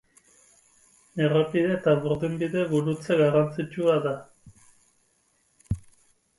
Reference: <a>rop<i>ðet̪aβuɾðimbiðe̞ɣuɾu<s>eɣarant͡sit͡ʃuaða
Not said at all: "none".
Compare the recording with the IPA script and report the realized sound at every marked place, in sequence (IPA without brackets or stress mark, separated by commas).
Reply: e, i, t͡s